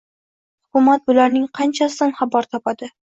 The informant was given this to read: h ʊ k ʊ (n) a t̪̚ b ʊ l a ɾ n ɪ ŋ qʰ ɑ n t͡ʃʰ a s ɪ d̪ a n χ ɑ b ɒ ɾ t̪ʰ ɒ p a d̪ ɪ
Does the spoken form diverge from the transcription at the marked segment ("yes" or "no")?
yes